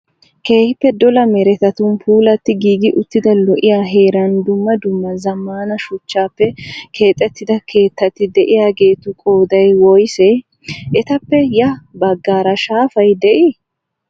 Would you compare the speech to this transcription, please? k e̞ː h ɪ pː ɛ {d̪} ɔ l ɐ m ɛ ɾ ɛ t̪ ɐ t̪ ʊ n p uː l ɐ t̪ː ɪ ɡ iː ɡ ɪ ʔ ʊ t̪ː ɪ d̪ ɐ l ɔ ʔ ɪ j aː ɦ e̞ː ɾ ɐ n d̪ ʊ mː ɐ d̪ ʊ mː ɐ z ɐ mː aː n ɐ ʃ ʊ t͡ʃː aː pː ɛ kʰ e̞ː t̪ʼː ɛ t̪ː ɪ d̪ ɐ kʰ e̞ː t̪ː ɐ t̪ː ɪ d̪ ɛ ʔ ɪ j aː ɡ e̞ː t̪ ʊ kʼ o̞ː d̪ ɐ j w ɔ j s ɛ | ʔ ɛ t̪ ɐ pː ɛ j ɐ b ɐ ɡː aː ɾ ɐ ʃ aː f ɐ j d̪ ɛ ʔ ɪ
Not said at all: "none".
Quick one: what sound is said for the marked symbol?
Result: d̪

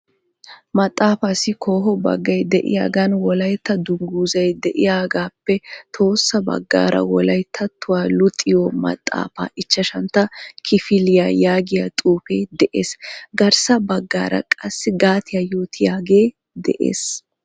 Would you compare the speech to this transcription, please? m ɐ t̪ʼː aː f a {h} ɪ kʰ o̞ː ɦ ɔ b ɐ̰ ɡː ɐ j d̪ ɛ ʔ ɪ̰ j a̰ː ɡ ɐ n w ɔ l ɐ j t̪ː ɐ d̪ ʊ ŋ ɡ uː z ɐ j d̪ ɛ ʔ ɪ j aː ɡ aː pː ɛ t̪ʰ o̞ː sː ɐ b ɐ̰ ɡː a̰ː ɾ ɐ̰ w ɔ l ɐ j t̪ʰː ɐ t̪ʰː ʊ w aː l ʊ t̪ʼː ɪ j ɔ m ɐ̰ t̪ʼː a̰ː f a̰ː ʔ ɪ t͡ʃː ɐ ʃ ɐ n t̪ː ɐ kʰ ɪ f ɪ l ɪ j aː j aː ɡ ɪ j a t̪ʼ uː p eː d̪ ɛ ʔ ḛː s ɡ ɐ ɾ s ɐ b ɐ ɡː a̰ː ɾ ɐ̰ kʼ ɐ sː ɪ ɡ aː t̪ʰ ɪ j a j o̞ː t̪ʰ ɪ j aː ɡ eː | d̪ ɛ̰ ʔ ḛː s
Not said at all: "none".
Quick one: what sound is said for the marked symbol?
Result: s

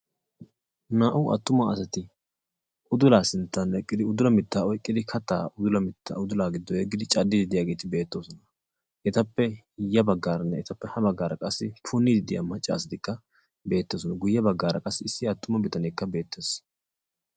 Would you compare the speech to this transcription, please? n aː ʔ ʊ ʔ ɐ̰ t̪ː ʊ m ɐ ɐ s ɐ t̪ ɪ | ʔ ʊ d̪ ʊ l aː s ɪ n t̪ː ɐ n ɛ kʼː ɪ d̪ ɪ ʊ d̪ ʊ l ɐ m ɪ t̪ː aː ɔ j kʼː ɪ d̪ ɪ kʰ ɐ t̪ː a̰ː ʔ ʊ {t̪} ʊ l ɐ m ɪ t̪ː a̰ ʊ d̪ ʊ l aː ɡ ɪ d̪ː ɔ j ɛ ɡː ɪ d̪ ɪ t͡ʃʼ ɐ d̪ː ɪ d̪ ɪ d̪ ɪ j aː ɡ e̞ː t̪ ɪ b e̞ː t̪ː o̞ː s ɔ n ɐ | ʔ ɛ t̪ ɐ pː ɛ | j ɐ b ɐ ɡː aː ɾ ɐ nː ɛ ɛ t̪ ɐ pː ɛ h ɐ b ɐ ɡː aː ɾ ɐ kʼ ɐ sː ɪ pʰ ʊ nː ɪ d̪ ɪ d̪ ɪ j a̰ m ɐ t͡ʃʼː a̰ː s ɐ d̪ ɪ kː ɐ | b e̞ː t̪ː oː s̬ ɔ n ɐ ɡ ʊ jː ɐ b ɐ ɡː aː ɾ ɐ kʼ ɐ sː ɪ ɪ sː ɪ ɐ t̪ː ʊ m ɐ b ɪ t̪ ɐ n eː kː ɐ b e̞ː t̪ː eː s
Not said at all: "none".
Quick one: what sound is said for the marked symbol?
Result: d̪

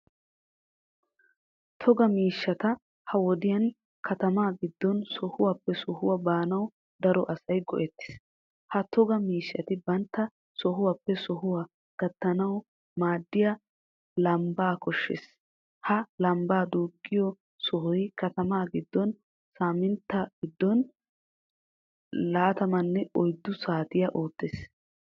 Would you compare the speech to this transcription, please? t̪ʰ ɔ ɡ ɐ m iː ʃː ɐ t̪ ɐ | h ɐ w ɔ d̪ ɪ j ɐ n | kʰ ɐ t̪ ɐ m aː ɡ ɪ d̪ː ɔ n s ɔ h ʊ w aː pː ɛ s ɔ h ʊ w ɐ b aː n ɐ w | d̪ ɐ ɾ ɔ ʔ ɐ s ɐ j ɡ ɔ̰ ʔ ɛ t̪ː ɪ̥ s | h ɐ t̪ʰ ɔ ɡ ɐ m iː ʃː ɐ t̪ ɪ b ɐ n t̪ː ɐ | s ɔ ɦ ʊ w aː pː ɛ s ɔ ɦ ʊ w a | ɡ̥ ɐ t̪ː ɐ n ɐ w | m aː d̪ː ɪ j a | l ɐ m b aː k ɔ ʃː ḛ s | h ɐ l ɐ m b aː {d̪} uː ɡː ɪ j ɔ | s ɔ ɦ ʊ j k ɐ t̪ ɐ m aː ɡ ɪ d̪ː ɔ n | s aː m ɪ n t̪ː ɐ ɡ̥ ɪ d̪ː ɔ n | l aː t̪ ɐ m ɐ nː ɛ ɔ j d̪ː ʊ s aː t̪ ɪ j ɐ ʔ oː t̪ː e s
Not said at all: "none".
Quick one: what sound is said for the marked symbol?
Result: d̪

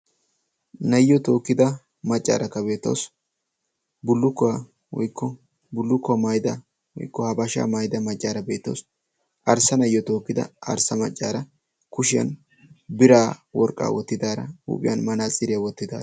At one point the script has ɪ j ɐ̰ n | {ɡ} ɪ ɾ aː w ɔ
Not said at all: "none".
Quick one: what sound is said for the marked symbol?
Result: b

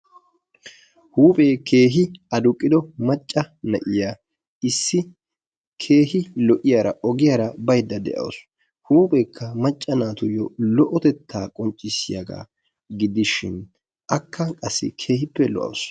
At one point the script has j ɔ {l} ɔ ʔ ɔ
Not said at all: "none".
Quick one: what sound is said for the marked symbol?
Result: l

